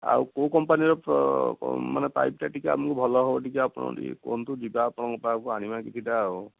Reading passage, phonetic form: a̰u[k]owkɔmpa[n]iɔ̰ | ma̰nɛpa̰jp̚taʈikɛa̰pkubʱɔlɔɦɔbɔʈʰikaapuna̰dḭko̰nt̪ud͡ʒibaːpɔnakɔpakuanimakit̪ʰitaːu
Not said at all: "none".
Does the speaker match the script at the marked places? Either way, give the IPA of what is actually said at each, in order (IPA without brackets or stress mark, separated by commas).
k, n